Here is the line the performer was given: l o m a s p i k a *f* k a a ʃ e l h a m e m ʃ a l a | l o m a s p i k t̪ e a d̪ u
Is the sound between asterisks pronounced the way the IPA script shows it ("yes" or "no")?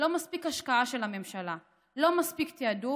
no